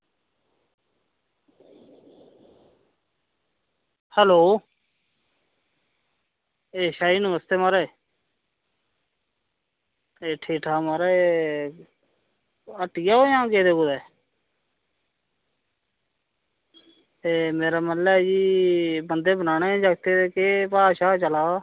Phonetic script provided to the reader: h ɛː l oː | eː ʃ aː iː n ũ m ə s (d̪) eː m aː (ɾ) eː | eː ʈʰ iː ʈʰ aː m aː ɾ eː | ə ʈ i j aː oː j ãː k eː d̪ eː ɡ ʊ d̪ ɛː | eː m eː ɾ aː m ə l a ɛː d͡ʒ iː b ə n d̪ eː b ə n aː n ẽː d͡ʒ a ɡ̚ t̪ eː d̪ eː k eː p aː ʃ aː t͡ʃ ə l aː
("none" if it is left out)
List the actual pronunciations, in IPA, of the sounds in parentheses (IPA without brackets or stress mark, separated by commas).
t̪, ɾ